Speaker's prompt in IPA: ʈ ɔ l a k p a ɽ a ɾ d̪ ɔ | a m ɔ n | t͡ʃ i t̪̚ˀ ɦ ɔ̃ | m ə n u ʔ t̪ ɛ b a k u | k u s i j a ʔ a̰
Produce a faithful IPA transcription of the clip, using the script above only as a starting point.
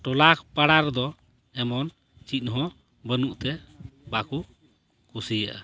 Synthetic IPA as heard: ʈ ɔ l a k p a ɽ a ɾ d̪ ɔ | ɛ m ɔ n | t͡ʃ i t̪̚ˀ ɦ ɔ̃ | b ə n u ʔ t̪ ɛ b a k u | k u s i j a ʔ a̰